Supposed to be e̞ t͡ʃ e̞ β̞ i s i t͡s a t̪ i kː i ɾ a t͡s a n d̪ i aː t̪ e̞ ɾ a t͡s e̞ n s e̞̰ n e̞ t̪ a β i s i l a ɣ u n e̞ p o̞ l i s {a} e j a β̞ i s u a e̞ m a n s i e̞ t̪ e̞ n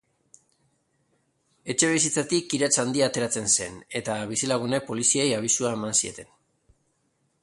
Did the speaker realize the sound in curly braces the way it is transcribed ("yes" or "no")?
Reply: no